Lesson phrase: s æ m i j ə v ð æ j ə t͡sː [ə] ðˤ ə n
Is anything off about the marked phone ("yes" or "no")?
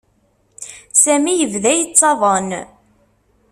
yes